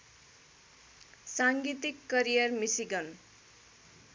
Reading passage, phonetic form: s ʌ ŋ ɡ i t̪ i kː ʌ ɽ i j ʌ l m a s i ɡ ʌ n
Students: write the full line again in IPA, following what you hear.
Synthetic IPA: s a ŋ ɡ i t̪ i kː ʌ ɾ i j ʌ r m i s i ɡ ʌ n